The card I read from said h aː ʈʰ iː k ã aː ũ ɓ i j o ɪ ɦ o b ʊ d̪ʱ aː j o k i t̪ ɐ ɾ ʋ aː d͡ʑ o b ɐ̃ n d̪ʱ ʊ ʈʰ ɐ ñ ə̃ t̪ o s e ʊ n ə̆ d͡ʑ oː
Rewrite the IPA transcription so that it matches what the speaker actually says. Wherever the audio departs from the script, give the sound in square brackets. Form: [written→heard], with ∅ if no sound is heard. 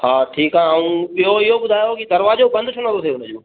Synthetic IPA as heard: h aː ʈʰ iː k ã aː ũ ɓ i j o ɪ ɦ o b ʊ d̪ʱ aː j o k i [t̪→d̪] ɐ ɾ ʋ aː d͡ʑ o b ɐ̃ n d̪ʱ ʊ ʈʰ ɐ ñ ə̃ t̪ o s e ʊ n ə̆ d͡ʑ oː

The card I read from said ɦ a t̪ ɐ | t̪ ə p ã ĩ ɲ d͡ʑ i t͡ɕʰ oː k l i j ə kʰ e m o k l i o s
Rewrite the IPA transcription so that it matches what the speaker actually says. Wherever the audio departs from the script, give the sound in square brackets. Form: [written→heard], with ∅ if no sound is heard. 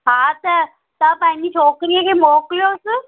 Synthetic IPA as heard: ɦ a t̪ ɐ | t̪ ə p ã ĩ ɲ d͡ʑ i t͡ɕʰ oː k [l→ɾ] i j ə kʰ e m o k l [i→j] o s

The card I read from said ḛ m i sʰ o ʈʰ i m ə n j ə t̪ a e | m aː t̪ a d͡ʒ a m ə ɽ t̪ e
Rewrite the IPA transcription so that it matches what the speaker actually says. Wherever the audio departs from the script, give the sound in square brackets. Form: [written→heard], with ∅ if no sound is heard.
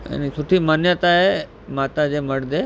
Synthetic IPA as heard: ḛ [m→n] i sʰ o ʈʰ i m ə n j ə t̪ a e | m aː t̪ a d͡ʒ [a→e] m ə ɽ [t̪→d̪] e

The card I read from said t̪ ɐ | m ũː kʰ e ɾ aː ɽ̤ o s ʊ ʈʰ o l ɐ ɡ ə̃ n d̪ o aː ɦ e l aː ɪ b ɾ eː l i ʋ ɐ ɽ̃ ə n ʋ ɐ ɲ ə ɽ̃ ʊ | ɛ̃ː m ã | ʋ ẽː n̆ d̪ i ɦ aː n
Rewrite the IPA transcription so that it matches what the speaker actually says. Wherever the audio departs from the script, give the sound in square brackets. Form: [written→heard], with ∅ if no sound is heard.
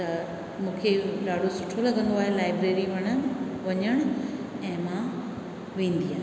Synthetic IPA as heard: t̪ ɐ | m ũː kʰ e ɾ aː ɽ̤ o s ʊ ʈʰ o l ɐ ɡ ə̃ n d̪ o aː ɦ e l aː ɪ b ɾ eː [l→ɾ] i ʋ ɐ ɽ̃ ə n ʋ ɐ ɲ ə ɽ̃ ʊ | ɛ̃ː m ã | ʋ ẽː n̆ d̪ i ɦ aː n

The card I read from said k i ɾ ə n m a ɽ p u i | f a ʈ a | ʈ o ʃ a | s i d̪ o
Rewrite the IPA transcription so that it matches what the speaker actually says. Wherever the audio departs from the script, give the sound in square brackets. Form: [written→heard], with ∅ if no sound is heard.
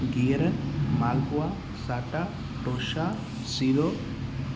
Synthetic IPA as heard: [k→ɡ] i ɾ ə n m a [ɽ→l] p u [i→a] | [f→s] a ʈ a | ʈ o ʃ a | s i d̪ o

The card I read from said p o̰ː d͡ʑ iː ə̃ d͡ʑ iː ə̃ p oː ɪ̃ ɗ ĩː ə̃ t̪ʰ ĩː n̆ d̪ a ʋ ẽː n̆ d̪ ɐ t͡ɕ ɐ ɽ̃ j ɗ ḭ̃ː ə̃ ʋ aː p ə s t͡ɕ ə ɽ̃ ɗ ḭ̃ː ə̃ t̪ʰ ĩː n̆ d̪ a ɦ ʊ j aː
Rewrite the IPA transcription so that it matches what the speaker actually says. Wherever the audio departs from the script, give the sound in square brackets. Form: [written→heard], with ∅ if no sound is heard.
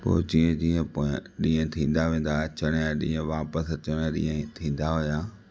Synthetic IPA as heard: p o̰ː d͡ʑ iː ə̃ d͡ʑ iː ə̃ p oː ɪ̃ ɗ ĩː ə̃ t̪ʰ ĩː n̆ d̪ a ʋ ẽː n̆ d̪ [ɐ→a] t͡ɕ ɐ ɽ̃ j ɗ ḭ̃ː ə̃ ʋ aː p ə s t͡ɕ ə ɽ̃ ɗ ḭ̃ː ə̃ t̪ʰ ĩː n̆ d̪ a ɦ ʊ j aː

